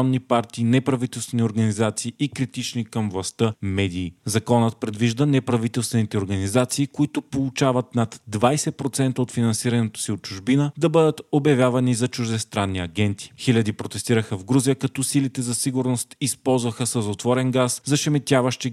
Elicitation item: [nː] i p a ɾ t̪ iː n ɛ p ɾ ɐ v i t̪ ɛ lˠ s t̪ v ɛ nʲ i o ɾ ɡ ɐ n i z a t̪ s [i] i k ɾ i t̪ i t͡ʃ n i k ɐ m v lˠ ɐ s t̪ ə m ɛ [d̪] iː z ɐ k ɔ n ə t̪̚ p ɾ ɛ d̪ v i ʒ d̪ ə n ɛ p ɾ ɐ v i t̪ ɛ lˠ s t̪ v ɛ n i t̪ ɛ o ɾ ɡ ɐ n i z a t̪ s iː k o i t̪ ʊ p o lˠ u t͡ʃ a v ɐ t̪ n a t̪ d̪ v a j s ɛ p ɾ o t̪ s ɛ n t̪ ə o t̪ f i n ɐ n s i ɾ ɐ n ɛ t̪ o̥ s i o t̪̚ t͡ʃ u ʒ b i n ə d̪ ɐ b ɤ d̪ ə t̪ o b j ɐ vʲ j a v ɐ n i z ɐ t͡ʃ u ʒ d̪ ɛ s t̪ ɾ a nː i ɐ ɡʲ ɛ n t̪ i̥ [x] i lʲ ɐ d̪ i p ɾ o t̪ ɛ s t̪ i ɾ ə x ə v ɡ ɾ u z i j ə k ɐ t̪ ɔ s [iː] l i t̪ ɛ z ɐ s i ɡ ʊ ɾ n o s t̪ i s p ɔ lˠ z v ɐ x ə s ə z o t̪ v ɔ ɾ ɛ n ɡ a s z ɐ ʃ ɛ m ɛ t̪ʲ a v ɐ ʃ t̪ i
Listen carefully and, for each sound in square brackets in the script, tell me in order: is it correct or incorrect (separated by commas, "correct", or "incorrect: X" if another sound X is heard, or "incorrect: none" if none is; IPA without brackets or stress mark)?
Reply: correct, incorrect: iː, correct, correct, incorrect: i